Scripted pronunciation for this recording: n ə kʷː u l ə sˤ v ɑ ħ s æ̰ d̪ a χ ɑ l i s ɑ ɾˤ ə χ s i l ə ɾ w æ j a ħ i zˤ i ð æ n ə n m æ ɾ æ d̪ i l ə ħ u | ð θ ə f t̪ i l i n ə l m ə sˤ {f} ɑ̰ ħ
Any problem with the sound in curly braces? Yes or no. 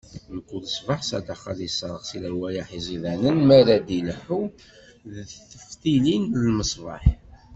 yes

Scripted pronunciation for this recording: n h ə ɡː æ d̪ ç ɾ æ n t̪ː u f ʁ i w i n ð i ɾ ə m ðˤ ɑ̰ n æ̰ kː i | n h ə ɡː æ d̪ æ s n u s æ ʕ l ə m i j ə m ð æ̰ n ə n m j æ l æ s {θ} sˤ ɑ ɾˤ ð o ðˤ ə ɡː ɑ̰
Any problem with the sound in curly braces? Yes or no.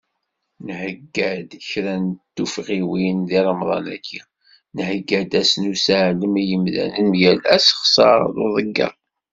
yes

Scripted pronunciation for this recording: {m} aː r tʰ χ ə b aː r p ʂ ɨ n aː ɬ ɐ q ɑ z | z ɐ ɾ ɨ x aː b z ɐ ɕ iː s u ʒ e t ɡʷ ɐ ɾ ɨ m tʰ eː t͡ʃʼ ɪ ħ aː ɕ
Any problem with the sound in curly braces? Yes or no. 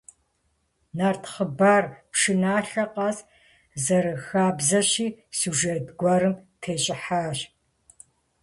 yes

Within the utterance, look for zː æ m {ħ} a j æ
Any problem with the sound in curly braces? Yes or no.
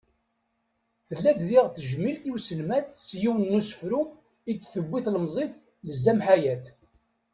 no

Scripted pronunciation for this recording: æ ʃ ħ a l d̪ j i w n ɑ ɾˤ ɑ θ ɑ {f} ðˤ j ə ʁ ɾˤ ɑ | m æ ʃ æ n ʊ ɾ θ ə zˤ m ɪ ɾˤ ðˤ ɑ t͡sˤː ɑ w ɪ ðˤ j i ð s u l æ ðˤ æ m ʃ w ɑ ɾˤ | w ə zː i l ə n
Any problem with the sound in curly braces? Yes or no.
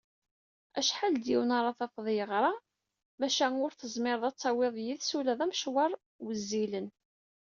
no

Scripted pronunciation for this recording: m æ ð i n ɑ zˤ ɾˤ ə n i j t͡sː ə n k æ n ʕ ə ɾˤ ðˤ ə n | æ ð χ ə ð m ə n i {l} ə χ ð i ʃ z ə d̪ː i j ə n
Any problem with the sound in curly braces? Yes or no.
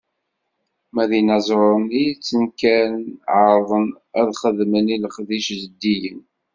no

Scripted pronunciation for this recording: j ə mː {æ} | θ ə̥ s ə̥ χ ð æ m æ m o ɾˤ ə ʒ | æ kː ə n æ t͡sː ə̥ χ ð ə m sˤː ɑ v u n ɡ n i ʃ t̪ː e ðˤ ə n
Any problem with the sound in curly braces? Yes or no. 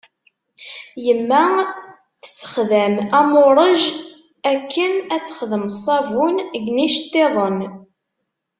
no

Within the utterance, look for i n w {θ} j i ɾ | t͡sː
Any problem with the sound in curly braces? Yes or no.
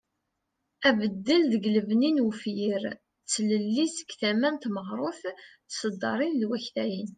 yes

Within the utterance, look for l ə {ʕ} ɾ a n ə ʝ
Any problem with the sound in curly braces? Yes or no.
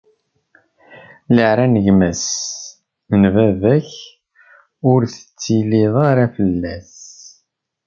no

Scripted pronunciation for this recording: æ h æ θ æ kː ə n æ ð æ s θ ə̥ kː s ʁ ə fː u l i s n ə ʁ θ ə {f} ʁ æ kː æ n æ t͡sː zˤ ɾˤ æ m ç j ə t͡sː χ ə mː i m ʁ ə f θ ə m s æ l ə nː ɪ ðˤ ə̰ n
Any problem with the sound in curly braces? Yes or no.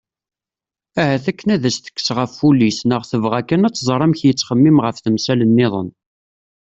yes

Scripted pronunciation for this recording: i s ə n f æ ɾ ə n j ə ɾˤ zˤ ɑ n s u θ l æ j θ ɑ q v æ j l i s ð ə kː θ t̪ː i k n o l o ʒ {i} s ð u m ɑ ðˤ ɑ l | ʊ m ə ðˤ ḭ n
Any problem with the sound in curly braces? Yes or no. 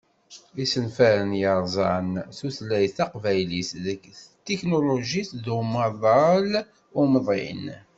no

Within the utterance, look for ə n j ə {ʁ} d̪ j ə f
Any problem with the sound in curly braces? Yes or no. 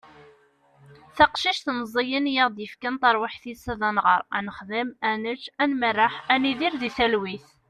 no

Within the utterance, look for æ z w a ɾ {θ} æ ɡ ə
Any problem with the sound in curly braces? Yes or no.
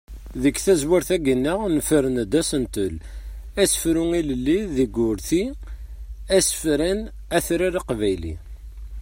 no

